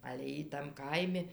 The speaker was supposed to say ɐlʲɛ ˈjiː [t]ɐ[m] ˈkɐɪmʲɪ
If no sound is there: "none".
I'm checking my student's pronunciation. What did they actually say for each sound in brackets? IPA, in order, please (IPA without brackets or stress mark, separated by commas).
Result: t, m